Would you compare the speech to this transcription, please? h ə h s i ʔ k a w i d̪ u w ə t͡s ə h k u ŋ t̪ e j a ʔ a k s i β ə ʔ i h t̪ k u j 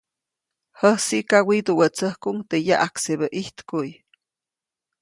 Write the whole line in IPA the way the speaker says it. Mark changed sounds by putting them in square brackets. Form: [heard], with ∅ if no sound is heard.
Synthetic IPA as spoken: h ə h s i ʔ k a w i d̪ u w ə t͡s ə h k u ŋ t̪ e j a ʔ a k s [e] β ə ʔ i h t̪ k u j